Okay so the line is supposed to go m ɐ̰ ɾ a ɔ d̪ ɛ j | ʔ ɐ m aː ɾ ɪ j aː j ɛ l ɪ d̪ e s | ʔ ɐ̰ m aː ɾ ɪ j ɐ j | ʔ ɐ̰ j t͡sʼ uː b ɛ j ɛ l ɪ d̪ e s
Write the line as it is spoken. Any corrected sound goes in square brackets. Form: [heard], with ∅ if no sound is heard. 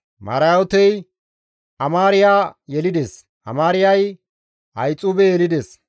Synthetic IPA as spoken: m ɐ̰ ɾ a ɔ [t̪] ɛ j | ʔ ɐ m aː ɾ ɪ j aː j ɛ l ɪ d̪ e s | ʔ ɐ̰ m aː ɾ ɪ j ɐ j | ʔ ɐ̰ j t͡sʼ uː b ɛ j ɛ l ɪ d̪ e s